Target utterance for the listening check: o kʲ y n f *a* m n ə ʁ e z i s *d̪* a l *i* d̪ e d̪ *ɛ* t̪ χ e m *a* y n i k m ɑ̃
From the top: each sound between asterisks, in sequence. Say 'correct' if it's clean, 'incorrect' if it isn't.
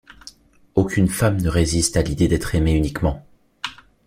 correct, incorrect: t̪, correct, correct, incorrect: e

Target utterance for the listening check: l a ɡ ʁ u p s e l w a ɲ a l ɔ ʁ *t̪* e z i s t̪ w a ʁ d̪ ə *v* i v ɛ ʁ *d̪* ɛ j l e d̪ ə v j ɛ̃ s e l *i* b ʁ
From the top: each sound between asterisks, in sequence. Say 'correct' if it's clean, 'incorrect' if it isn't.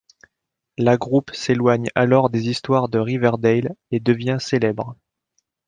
incorrect: d̪, incorrect: ʁ, correct, incorrect: ɛ

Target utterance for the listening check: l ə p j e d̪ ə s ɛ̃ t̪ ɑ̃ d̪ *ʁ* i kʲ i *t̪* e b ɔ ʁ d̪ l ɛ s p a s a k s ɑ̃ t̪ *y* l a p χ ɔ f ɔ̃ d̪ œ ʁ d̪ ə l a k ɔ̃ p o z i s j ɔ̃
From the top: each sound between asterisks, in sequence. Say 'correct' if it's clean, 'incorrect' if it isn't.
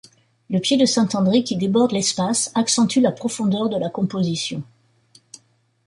correct, incorrect: d̪, correct

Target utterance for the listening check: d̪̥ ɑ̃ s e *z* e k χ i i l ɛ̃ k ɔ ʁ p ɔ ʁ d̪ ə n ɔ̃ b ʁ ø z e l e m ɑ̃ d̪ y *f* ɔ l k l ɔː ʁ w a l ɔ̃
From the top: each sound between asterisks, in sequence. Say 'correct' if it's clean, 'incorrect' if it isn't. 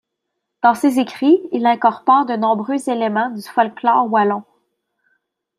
correct, correct

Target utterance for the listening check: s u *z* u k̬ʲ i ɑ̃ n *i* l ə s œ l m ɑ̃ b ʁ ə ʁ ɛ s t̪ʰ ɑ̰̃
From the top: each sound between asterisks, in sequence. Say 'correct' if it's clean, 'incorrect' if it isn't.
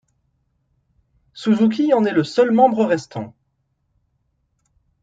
correct, incorrect: ɛ

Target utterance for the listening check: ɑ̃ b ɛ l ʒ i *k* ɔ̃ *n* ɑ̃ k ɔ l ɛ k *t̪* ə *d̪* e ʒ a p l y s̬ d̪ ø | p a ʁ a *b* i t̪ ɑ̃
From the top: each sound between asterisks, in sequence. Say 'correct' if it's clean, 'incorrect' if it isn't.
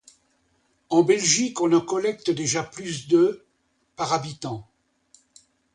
correct, correct, correct, correct, correct

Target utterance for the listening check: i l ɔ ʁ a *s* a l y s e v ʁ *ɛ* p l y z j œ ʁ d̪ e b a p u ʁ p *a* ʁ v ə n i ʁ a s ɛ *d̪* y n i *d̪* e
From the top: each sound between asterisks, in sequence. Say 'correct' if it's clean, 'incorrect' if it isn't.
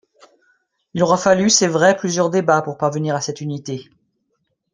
incorrect: f, correct, correct, incorrect: t̪, incorrect: t̪

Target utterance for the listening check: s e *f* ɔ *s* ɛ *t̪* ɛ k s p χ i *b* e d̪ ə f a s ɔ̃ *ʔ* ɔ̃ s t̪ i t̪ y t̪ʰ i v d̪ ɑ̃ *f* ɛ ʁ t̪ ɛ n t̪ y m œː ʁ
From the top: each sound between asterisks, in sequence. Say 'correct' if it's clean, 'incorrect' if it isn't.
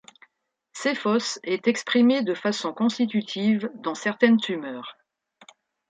correct, correct, correct, incorrect: m, incorrect: k, incorrect: s

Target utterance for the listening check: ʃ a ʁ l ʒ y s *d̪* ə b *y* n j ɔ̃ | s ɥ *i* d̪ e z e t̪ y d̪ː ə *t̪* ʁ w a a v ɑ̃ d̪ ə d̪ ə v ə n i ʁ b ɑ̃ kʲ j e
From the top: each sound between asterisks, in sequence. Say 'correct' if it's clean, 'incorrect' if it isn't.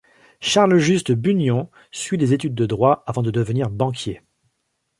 incorrect: t̪, correct, correct, incorrect: d̪

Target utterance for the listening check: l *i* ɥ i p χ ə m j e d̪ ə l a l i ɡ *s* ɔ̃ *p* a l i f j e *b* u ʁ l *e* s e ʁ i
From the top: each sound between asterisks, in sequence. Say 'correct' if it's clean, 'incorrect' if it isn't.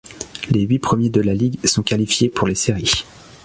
incorrect: e, correct, incorrect: k, incorrect: p, correct

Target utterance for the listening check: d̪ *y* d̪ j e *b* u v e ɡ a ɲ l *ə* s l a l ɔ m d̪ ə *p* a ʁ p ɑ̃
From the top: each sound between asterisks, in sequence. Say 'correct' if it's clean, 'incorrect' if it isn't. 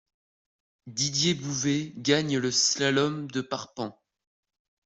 incorrect: i, correct, correct, correct

